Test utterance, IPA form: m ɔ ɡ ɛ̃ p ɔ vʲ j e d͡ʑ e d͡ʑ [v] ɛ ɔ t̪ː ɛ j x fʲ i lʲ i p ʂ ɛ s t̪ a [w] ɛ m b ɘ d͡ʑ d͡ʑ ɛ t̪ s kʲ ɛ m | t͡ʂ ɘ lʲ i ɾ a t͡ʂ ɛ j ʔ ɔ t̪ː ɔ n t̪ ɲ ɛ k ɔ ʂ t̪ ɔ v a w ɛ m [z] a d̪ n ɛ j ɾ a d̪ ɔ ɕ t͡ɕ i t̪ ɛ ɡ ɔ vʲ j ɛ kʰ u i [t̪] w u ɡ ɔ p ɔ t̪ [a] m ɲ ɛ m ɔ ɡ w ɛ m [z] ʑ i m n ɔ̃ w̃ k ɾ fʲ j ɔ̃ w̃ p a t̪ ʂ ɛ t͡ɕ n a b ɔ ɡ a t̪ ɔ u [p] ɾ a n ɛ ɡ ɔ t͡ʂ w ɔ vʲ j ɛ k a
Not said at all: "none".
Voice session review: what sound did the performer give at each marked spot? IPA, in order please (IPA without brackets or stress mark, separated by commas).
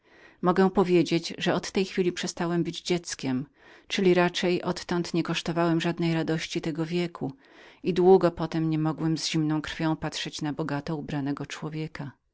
ʐ, w, ʐ, d̪, ɛ, z, b